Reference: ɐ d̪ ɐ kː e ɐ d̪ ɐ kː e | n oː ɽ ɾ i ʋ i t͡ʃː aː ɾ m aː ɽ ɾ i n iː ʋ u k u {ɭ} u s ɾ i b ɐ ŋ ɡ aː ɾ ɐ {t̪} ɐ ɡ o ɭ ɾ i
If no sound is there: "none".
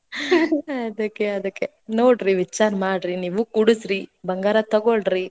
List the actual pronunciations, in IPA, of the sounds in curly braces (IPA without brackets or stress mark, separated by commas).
ɽ, t̪